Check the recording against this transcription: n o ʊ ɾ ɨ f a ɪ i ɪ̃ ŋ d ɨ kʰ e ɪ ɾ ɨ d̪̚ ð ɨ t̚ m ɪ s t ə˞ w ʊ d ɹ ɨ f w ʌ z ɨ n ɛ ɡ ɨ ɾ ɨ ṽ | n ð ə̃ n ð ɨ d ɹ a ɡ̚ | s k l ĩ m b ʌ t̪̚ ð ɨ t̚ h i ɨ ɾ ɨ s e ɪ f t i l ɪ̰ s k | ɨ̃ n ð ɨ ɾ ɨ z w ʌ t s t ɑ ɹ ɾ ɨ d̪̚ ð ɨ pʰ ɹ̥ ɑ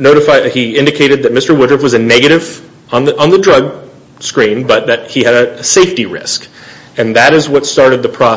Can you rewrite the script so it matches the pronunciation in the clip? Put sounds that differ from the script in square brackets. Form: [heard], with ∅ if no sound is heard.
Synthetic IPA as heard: n o ʊ ɾ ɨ f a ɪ i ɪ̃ [n] d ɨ kʰ e ɪ ɾ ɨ d̪̚ ð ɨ t̚ m ɪ s t ə˞ w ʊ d ɹ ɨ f w ʌ z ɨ n ɛ ɡ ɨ ɾ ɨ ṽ | n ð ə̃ n ð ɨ d ɹ [ʌ] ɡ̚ | s k [ɹ] ĩ m b ʌ t̪̚ ð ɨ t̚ h i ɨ ɾ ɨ s e ɪ f t i [ɹ] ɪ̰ s k | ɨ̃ n ð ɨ ɾ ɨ z w ʌ t s t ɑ ɹ ɾ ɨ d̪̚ ð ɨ pʰ ɹ̥ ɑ

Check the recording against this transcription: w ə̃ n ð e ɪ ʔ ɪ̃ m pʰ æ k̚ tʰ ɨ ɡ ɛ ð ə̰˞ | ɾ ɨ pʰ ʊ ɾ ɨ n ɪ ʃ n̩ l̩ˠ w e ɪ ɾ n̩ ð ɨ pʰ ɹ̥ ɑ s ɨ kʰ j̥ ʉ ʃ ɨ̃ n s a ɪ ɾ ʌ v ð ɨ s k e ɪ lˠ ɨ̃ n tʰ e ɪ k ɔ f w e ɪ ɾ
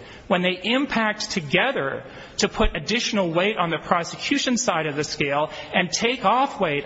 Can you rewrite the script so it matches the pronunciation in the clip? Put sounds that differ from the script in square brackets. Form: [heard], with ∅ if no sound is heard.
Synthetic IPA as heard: w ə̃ n ð e ɪ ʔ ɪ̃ m pʰ æ k̚ tʰ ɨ ɡ ɛ ð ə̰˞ | ɾ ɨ pʰ ʊ ɾ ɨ [d] ɪ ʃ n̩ l̩ˠ w e ɪ ɾ n̩ ð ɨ pʰ ɹ̥ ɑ s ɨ kʰ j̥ ʉ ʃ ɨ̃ n s a ɪ ɾ ʌ v ð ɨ s k e ɪ lˠ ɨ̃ n tʰ e ɪ k ɔ f w e ɪ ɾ

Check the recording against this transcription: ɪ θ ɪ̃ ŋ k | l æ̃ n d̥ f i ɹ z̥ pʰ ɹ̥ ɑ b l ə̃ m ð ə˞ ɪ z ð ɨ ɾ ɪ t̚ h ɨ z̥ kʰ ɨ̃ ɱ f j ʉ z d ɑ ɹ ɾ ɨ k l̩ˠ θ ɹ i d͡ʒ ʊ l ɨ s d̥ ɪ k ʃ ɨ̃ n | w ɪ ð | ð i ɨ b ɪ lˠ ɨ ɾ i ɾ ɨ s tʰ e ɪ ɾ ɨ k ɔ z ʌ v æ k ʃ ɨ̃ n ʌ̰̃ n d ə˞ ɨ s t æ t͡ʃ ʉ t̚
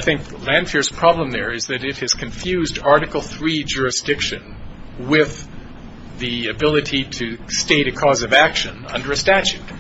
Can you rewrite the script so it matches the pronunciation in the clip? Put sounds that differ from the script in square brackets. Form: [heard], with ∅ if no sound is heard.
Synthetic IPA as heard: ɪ θ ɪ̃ ŋ k | l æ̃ n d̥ f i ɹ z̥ pʰ ɹ̥ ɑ b l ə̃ m ð ə˞ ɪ z ð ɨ ɾ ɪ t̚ h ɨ z̥ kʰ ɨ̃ ɱ f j ʉ z d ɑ ɹ ɾ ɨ k l̩ˠ θ ɹ i d͡ʒ ʊ [ɹ] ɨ s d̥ ɪ k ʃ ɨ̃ n | w ɪ ð | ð i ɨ b ɪ lˠ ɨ ɾ i ɾ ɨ s [t] e ɪ ɾ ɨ [kʰ] ɔ z ʌ v æ k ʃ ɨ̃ n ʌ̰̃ n d ə˞ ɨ s t æ t͡ʃ ʉ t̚

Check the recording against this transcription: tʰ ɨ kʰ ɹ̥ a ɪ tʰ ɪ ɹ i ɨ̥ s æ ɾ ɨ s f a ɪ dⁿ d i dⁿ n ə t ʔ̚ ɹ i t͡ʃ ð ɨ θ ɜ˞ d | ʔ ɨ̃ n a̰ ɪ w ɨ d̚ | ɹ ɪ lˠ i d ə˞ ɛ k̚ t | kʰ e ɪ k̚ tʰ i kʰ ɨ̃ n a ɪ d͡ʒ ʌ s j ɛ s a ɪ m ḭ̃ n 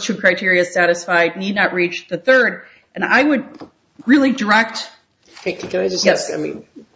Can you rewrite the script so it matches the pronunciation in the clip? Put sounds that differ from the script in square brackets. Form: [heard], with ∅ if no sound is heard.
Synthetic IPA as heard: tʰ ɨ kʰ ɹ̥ a ɪ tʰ ɪ ɹ i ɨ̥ s æ ɾ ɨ s f a ɪ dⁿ [n] i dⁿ n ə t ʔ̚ ɹ i t͡ʃ ð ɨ θ ɜ˞ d | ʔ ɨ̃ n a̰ ɪ w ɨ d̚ | ɹ ɪ lˠ i d ə˞ ɛ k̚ t | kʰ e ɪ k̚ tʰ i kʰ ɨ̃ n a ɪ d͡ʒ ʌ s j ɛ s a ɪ m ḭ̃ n

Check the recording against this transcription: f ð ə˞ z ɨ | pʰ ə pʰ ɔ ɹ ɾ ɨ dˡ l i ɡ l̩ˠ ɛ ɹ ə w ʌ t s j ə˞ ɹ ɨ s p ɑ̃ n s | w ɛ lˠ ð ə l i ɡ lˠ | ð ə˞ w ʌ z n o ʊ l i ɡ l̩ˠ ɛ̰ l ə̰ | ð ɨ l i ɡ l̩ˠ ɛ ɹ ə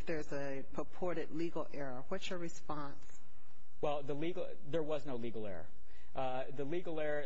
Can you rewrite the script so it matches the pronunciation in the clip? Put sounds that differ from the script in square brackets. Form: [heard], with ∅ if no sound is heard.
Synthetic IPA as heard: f ð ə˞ z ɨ | pʰ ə pʰ ɔ ɹ ɾ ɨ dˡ l i ɡ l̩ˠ ɛ ɹ ə w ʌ t s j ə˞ ɹ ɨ s p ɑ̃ n s | w ɛ lˠ ð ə l i ɡ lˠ | ð ə˞ w ʌ z n o ʊ l i ɡ l̩ˠ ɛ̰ [ɹ] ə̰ | ð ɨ l i ɡ l̩ˠ ɛ ɹ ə

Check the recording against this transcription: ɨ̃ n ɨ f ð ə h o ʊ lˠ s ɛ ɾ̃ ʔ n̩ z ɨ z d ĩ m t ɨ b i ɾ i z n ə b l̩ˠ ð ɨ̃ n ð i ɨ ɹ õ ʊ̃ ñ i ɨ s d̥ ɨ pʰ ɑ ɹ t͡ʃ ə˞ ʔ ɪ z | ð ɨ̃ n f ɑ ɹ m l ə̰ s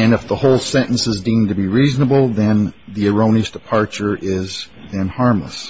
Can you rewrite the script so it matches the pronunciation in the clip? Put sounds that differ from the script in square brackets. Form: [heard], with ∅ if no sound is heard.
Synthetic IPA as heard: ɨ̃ n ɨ f ð ə h o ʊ lˠ s [ɛ̃] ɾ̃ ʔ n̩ [s] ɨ z d ĩ m t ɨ b i [ɹ] i z n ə b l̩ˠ ð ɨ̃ n ð i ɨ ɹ õ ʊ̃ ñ i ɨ s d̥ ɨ pʰ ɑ ɹ t͡ʃ ə˞ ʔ ɪ z | ð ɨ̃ n [h] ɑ ɹ m l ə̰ s

